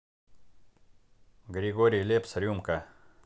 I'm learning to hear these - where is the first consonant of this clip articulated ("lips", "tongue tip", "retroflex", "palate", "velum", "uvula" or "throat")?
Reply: velum